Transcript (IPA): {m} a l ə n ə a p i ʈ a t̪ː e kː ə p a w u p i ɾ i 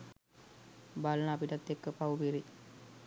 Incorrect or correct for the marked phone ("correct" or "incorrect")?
incorrect